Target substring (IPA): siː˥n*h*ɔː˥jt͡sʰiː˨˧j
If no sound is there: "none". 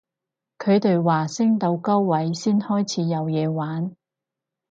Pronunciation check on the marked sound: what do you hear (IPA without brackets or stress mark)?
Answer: h